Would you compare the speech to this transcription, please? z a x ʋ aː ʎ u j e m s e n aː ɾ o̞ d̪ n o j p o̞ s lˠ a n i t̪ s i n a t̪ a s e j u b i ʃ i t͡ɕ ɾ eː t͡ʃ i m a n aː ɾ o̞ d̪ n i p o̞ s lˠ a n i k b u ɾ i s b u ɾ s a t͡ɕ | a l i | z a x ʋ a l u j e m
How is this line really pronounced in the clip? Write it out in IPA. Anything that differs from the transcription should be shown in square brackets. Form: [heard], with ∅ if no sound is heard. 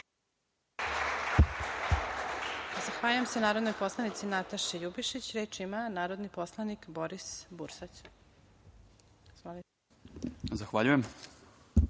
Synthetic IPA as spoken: z a x ʋ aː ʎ u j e m s e n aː ɾ o̞ d̪ n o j p o̞ s lˠ a n i t̪ s i n a t̪ a [ʃ] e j u b i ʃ i t͡ɕ ɾ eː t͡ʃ i m a n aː ɾ o̞ d̪ n i p o̞ s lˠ a n i k b [o] ɾ i s b u ɾ s a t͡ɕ | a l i | z a x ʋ a [ʎ] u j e m

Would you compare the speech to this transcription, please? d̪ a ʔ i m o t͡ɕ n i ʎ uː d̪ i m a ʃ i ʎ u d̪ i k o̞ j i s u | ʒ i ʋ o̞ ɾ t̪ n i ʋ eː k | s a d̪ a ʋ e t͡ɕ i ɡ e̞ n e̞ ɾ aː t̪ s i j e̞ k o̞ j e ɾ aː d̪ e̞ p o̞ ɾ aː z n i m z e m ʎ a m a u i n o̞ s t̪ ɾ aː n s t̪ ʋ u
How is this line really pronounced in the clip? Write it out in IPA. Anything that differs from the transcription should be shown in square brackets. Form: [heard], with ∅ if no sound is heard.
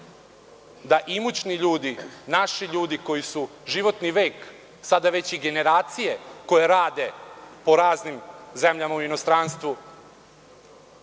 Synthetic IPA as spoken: d̪ a ʔ i m [u] t͡ɕ n i ʎ uː d̪ i [n] a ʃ i ʎ [uː] d̪ i k o̞ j i s u | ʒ i ʋ o̞ [∅] t̪ n i ʋ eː k | s a d̪ a ʋ e t͡ɕ i ɡ e̞ n e̞ ɾ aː t̪ s i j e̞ k o̞ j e ɾ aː d̪ e̞ p o̞ ɾ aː z n i m z e m ʎ a m a u i n o̞ s t̪ ɾ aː n s t̪ ʋ u

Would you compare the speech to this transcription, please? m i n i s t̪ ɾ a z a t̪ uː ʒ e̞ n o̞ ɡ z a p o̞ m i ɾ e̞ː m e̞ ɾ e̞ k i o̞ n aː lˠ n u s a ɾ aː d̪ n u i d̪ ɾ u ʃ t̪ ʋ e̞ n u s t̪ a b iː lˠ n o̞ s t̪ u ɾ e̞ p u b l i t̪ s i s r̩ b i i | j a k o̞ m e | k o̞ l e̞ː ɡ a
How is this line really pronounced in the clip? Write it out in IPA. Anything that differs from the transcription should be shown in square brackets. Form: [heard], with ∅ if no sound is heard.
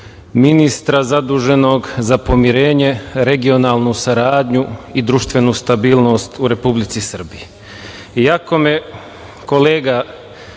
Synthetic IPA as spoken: m i n i s t̪ ɾ a z a [d̪] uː ʒ e̞ n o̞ ɡ z a p o̞ m i ɾ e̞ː [ɲ] e̞ ɾ e̞ [ɡ] i o̞ n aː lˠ n u s a ɾ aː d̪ [ɲ] u i d̪ ɾ u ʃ t̪ ʋ e̞ n u s t̪ a b iː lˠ n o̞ s t̪ u ɾ e̞ p u b l i t̪ s i s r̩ b i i | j a k o̞ m e | k o̞ l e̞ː ɡ a

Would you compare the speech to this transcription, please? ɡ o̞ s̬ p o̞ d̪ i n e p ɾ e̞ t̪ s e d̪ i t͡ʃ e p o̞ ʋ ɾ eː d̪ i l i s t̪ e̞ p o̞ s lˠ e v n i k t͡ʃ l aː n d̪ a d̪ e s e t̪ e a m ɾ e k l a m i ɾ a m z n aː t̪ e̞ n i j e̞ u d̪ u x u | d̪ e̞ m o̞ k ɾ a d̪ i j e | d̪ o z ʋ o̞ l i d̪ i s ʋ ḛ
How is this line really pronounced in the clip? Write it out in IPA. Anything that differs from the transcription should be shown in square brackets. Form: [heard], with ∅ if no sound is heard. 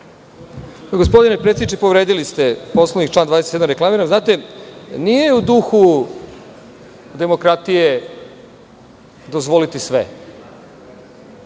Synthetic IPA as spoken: ɡ o̞ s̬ p o̞ d̪ i n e p ɾ e̞ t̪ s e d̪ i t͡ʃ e p o̞ ʋ ɾ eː d̪ i l i s t̪ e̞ p o̞ s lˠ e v n i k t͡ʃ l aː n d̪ a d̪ e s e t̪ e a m ɾ e k l a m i ɾ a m z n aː t̪ e̞ n i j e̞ u d̪ u x u | d̪ e̞ m o̞ k ɾ a [t̪] i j e | d̪ o z ʋ o̞ l i [t̪] i s ʋ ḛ

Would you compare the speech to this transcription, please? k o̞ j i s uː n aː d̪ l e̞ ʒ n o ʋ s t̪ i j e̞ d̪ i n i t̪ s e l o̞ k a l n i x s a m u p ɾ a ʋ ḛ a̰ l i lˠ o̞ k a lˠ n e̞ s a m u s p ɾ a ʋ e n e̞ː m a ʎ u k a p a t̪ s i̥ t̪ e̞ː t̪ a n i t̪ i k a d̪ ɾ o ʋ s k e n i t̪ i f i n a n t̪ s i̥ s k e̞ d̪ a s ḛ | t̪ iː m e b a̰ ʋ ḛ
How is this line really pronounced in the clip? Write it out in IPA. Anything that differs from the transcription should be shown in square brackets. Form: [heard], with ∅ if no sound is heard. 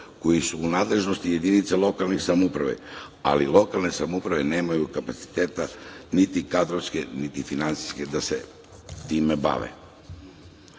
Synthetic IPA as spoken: k o̞ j i s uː n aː d̪ l e̞ ʒ n o [∅] s t̪ i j e̞ d̪ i n i t̪ s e l o̞ k a l n i x s a m u p ɾ a ʋ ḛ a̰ l i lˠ o̞ k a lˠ n e̞ s a m u [∅] p ɾ a ʋ e n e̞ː m a [j] u k a p a t̪ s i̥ t̪ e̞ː t̪ a n i t̪ i k a d̪ ɾ o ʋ s k e n i t̪ i f i n a n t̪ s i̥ s k e̞ d̪ a s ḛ | t̪ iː m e b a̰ ʋ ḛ

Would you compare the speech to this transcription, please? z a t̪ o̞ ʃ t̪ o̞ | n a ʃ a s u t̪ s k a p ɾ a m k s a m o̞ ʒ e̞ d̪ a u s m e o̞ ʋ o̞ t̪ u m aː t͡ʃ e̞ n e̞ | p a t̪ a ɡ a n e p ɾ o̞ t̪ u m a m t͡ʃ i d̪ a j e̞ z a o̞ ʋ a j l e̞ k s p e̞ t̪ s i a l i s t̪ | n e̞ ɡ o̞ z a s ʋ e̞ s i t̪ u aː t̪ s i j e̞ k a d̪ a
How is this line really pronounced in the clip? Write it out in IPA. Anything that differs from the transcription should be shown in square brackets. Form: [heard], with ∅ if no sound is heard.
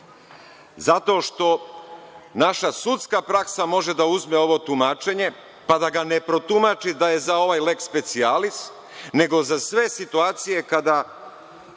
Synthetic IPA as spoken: z a t̪ o̞ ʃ t̪ o̞ | n a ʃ a s u t̪ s k a p ɾ a [∅] k s a m o̞ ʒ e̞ d̪ a u [z] m e o̞ ʋ o̞ t̪ u m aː t͡ʃ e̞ [ɲ] e̞ | p a [d̪] a ɡ a n e p ɾ o̞ t̪ u m a [∅] t͡ʃ i d̪ a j e̞ z a o̞ ʋ a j l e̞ k s p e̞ t̪ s i a l i s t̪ | n e̞ ɡ o̞ z a s ʋ e̞ s i t̪ u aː t̪ s i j e̞ k a d̪ a

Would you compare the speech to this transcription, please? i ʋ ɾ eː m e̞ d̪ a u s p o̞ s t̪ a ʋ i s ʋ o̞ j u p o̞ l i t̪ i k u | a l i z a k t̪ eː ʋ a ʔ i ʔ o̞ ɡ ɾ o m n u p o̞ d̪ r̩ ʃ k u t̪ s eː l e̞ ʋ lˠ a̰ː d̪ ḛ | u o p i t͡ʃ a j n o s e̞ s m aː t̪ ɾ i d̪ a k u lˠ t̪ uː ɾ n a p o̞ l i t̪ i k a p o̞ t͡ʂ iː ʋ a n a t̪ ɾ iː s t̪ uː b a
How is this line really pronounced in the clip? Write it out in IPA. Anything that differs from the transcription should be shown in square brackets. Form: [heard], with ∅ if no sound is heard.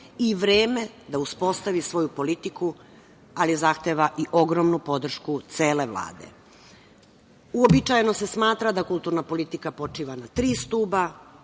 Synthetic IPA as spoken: i ʋ ɾ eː m e̞ d̪ a u s p o̞ s t̪ a ʋ i s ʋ o̞ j u p o̞ l i t̪ i k u | a l i z a [x] t̪ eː ʋ a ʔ i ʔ o̞ ɡ ɾ o m n u p o̞ d̪ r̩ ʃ k u t̪ s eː l e̞ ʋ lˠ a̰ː d̪ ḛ | u o [b] i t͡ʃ a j n o s e̞ s m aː t̪ ɾ [a] d̪ a k u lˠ t̪ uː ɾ n a p o̞ l i t̪ i k a p o̞ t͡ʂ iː ʋ a n a t̪ ɾ iː s t̪ uː b a

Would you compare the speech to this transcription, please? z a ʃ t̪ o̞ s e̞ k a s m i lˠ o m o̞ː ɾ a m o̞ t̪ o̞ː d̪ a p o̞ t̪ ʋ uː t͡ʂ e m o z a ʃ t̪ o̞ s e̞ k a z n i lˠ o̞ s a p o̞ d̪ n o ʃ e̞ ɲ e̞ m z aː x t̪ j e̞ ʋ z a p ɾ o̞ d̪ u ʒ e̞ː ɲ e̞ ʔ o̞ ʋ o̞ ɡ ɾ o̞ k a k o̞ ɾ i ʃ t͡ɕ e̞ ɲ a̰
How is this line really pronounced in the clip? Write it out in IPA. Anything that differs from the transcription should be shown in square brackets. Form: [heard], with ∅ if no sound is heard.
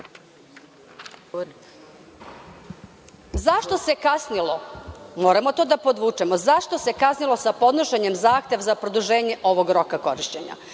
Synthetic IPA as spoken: z a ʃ t̪ o̞ s e̞ k a s [n] i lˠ o m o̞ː ɾ a m o̞ t̪ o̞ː d̪ a p o̞ [d̪] ʋ uː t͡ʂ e m o z a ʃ t̪ o̞ s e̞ k a [s] n i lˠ o̞ s a p o̞ d̪ n o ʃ e̞ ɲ e̞ m z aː x t̪ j e̞ ʋ z a p ɾ o̞ d̪ u ʒ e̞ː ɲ e̞ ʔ o̞ ʋ o̞ ɡ ɾ o̞ k a k o̞ ɾ i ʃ t͡ɕ e̞ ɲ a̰

